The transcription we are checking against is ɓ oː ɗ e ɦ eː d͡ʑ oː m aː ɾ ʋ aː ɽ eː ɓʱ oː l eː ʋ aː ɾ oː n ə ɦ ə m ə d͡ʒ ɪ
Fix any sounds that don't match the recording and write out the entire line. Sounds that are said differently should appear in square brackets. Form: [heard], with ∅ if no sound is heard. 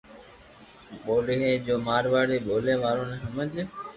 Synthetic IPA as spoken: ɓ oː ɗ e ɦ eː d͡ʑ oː m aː ɾ ʋ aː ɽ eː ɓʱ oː l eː ʋ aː ɾ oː n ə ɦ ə m ə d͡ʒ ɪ